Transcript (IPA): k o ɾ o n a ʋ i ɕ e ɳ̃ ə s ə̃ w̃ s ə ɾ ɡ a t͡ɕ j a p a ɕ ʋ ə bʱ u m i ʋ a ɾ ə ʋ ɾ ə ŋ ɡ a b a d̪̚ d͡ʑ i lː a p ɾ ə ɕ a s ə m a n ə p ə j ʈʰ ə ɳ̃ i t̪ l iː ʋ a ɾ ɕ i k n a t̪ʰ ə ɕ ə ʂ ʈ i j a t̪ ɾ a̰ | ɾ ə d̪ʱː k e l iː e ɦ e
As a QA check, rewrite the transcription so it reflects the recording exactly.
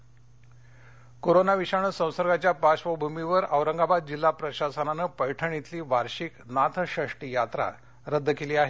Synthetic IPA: k o ɾ o n a ʋ i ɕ a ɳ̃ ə s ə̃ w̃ s ə ɾ ɡ a t͡ɕ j a p a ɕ ʋ ə bʱ u m i ʋ ə ɾ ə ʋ ɾ ə ŋ ɡ a b a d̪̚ d͡ʑ i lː a p ɾ ə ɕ a s ə n a n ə p ə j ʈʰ ə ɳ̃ i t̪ l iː ʋ a ɾ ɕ i k n a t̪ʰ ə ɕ ə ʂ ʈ i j a t̪ ɾ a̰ | ɾ ə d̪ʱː k e l iː a ɦ e